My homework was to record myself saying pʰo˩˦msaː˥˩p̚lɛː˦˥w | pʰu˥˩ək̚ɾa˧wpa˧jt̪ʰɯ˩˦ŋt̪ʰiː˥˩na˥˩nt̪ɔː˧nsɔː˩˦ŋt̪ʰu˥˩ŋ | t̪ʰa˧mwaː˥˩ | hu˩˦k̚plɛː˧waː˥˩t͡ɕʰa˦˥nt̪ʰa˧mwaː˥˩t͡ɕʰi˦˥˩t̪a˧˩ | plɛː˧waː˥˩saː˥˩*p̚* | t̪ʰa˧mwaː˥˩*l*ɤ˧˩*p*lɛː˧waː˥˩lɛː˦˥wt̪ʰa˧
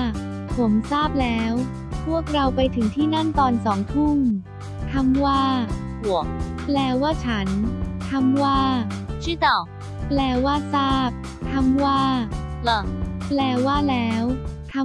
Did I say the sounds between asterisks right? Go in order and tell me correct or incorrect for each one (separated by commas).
correct, correct, correct